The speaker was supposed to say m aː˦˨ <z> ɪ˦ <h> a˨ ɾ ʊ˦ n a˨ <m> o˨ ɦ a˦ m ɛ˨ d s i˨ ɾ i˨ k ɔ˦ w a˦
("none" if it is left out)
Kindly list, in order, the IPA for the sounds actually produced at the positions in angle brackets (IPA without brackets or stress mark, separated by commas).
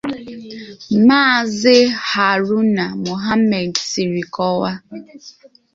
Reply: z, h, m